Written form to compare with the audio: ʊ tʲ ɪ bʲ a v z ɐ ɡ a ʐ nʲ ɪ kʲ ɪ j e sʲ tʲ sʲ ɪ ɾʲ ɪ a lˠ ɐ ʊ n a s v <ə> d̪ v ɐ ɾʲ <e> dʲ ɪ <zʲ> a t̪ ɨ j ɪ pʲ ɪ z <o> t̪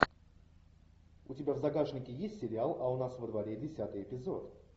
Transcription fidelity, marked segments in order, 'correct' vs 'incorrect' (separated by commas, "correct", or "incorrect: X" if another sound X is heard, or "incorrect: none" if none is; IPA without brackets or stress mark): correct, correct, incorrect: sʲ, correct